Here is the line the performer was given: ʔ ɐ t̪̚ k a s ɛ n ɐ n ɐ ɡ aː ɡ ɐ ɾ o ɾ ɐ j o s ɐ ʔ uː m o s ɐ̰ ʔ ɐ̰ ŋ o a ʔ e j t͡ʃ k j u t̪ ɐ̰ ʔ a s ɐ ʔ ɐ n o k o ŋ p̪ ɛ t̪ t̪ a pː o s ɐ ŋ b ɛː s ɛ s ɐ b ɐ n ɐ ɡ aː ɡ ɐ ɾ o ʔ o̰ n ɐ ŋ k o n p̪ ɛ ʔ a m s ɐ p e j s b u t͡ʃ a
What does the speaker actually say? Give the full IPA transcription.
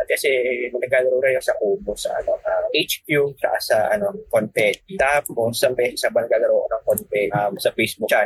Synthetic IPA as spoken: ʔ ɐ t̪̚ k ɐ s ɛ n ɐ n ɐ ɡ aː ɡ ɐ ɾ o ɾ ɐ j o s ɐ ʔ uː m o s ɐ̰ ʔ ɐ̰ n o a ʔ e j t͡ʃ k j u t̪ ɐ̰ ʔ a s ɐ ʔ ɐ n o k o n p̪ ɛ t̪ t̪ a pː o s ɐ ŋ b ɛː s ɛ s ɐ b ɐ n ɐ ɡ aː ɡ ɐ ɾ o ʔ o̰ n ɐ ŋ k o n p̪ ɛ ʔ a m s ɐ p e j s b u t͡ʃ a